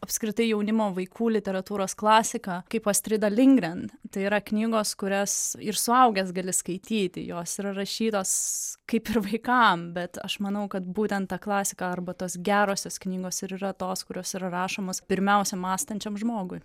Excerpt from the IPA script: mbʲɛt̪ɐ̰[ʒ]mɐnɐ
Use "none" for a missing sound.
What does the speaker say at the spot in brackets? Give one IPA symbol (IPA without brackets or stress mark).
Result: ʃ